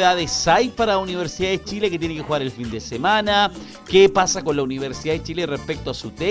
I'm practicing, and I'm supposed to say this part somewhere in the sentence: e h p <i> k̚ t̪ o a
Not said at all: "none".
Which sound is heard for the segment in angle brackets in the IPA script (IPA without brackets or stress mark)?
e